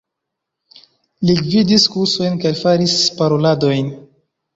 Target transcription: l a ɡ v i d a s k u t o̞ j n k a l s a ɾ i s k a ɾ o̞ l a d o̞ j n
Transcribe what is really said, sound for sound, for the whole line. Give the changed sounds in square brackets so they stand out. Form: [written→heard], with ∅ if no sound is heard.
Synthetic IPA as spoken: l [a→i] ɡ v i d [a→i] s k u [t→s] o̞ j n k a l [s→f] a ɾ i s [k→p] a ɾ o̞ l a d o̞ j n